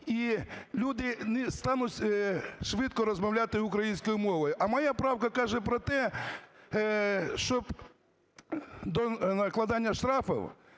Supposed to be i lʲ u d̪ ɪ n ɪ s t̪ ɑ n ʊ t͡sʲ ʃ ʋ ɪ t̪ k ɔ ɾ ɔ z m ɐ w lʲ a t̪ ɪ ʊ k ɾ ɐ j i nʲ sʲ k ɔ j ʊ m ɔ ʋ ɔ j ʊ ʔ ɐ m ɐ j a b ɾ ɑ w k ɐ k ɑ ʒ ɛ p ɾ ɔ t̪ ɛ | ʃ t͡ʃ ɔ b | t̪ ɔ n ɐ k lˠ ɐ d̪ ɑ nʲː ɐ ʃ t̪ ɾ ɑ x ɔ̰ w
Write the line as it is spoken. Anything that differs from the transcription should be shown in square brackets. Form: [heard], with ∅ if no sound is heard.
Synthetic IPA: i lʲ u d̪ ɪ n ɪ s t̪ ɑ n ʊ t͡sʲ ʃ ʋ ɪ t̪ k ɔ ɾ ɔ z m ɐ w lʲ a t̪ ɪ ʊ k ɾ ɐ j i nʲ sʲ k ɔ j ʊ m ɔ ʋ ɔ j ʊ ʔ ɐ m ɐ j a [p] ɾ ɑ w k ɐ k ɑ ʒ ɛ p ɾ ɔ t̪ ɛ | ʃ t͡ʃ ɔ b | [d̪] ɔ n ɐ k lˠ ɐ d̪ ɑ nʲː ɐ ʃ t̪ ɾ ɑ [f] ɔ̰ w